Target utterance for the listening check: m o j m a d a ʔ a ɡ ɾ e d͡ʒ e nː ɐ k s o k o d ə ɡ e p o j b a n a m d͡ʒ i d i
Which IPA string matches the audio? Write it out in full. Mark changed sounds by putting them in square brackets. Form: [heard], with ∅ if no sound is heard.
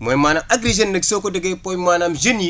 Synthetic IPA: m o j m a [n] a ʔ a ɡ ɾ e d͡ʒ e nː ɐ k s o k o d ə ɡ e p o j [m] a n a m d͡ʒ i [n] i